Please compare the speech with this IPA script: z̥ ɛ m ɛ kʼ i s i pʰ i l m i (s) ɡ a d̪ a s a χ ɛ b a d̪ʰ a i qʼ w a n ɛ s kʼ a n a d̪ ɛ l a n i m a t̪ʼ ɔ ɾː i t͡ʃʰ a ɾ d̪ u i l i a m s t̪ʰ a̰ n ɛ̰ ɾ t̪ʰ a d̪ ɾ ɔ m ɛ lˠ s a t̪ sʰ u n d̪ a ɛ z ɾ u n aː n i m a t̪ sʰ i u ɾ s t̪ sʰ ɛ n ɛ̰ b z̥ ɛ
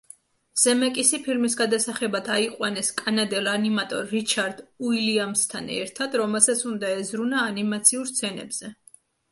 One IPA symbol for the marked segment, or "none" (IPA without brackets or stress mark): s